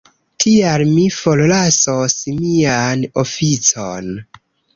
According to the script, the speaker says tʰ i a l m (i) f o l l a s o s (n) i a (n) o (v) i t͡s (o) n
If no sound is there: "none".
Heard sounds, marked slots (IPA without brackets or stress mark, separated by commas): i, m, n, f, o